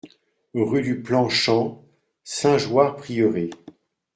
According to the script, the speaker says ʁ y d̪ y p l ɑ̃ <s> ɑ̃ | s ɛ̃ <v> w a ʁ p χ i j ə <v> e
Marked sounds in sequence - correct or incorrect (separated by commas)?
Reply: incorrect, incorrect, incorrect